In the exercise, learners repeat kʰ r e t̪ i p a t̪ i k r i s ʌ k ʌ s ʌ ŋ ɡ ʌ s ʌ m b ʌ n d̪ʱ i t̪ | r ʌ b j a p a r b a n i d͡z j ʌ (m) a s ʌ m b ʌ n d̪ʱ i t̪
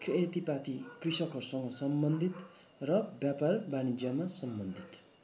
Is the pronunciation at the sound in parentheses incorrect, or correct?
correct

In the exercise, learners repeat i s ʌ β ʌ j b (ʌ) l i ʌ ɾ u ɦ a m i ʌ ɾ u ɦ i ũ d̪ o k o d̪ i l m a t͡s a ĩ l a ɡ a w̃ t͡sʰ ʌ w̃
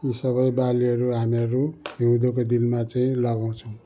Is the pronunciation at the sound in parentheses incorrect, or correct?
incorrect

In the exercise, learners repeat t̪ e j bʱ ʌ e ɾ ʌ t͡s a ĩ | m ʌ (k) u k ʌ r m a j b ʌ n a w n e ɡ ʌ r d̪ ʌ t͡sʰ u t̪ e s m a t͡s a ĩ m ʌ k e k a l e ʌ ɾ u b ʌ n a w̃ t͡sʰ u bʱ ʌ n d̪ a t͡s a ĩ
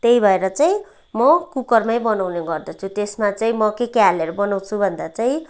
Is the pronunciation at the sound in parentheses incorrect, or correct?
correct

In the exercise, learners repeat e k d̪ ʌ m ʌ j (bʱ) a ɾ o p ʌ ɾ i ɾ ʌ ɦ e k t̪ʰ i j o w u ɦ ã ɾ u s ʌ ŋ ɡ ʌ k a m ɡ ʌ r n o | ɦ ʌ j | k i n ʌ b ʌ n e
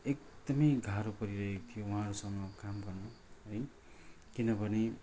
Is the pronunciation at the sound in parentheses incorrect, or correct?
incorrect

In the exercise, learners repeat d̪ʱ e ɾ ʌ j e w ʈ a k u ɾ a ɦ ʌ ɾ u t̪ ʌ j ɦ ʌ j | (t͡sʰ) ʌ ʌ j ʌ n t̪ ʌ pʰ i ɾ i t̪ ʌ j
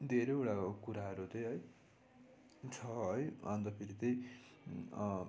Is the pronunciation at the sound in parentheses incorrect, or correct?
correct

